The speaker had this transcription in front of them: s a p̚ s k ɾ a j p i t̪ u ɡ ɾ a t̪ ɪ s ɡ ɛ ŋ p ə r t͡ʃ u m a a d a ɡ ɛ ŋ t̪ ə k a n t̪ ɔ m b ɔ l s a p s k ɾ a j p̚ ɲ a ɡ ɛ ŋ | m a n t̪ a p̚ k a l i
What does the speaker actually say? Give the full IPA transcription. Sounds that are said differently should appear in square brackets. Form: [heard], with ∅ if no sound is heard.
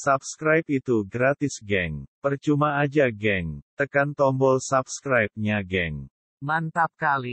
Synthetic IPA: s a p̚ s k ɾ a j p i t̪ u ɡ ɾ a t̪ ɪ s ɡ ɛ ŋ p ə r t͡ʃ u m a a [d͡ʒ] a ɡ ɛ ŋ t̪ ə k a n t̪ ɔ m b ɔ l s a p s k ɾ a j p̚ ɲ a ɡ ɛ ŋ | m a n t̪ a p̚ k a l i

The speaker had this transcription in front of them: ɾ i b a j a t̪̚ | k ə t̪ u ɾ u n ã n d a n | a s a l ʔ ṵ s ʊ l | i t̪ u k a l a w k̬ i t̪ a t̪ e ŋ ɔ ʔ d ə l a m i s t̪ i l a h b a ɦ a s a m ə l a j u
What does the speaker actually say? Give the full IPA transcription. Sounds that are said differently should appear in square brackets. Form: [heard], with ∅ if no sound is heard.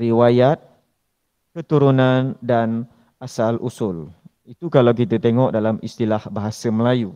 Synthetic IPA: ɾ i [w] a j a t̪̚ | k ə t̪ u ɾ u n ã n d a n | a s a l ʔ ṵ s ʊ l | i t̪ u k a l a w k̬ i t̪ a t̪ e ŋ ɔ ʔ d [a] l a m i s t̪ i l a h b a ɦ a s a m ə l a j u

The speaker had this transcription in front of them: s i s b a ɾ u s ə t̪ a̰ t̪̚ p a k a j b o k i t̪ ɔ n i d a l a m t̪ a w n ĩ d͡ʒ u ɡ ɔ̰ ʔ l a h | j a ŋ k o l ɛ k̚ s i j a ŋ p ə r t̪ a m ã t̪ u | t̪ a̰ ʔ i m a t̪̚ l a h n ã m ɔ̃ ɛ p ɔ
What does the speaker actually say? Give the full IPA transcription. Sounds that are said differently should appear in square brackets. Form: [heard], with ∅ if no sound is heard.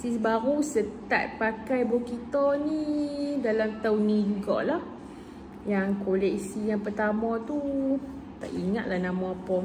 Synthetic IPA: s i s b a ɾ u s ə t̪ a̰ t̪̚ p a k a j b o k i t̪ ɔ n i d a l a m t̪ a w n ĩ d͡ʒ u ɡ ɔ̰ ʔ l a h | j a ŋ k o l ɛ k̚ s i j a ŋ p ə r t̪ a m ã t̪ u | t̪ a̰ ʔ i [ŋ] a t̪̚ l a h n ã m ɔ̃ [a] p ɔ

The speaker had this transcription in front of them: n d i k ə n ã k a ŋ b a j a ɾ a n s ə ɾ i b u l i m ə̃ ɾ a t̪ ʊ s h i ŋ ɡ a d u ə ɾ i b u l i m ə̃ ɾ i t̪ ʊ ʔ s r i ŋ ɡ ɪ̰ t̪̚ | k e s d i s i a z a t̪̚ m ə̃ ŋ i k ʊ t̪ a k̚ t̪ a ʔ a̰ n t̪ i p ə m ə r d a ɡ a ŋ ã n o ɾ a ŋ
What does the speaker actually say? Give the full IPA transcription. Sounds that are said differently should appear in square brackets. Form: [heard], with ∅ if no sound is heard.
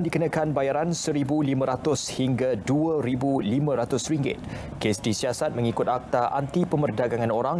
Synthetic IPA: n d i k ə n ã k a [n] b a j a ɾ a n s ə ɾ i b u l i m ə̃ ɾ a t̪ ʊ s h i ŋ ɡ a d u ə ɾ i b u l i m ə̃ ɾ [a] t̪ ʊ [∅] s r i ŋ ɡ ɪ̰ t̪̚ | k e s d i s i a [s] a t̪̚ m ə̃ ŋ i k ʊ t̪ a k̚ t̪ a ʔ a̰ n t̪ i p ə m ə r d a ɡ a ŋ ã n o ɾ a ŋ

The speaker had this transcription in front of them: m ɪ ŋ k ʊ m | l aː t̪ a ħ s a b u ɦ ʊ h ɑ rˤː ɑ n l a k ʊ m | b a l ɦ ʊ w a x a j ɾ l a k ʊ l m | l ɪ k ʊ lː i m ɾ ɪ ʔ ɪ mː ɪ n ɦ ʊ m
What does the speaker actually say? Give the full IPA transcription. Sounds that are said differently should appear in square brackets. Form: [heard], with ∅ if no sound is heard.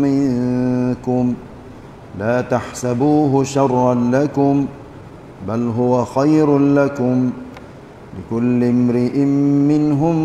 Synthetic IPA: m ɪ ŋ k ʊ m | l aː t̪ a ħ s a b [uː] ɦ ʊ [ʃ] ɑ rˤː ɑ n l a k ʊ m | b a l ɦ ʊ w a x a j ɾ l a k ʊ [∅] m | l ɪ k ʊ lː [ɪ] m ɾ ɪ ʔ ɪ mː ɪ n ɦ ʊ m

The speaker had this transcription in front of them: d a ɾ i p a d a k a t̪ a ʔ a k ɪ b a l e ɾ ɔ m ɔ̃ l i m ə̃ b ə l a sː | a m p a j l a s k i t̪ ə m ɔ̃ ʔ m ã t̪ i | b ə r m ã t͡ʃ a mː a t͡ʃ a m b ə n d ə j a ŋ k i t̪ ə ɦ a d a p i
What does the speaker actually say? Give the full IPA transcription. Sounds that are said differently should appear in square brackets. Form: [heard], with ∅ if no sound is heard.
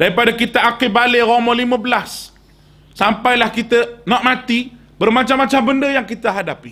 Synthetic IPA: d a ɾ i p a d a k [i] t̪ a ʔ a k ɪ b a l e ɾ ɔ m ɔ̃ l i m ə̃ b ə l a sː | a m p a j l a [h] k i t̪ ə [n] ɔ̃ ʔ m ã t̪ i | b ə r m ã t͡ʃ a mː a t͡ʃ a m b ə n d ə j a ŋ k i t̪ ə ɦ a d a p i

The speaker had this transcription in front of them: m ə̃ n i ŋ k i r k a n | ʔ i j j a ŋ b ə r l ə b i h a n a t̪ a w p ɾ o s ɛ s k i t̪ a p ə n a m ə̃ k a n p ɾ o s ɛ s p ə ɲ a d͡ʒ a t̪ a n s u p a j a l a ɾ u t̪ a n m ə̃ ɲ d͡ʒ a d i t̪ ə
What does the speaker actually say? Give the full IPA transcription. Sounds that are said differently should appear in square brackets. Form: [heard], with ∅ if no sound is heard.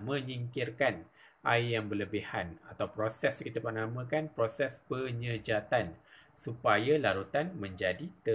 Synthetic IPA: m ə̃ [ɲ] i ŋ k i r k a n | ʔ [a] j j a ŋ b ə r l ə b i h a n a t̪ a w p ɾ o s ɛ s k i t̪ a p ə n a m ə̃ k a n p ɾ o s ɛ s p ə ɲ [ə] d͡ʒ a t̪ a n s u p a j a l a ɾ u t̪ a n m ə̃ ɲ d͡ʒ a d i t̪ ə

